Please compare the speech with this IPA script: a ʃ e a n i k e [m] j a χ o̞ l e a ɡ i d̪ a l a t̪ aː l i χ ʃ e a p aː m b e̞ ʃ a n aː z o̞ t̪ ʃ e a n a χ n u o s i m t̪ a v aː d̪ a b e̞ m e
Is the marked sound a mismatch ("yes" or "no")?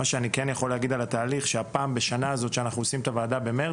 yes